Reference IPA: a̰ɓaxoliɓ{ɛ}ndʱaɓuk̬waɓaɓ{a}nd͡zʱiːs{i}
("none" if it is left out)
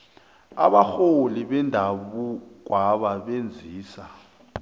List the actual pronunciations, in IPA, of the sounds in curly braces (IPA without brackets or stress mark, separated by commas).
ɛ, e, a